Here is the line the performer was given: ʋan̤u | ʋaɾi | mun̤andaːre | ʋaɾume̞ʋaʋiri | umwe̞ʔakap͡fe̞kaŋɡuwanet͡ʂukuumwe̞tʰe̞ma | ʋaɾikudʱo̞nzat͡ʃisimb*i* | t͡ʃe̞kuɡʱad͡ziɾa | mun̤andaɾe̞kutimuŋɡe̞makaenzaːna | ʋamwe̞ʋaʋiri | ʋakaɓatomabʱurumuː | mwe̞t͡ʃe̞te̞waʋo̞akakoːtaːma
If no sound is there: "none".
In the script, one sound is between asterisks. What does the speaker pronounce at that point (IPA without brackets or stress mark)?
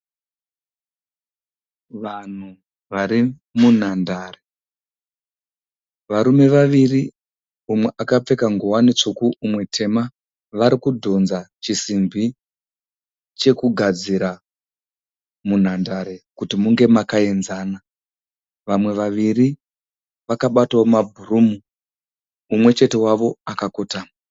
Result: i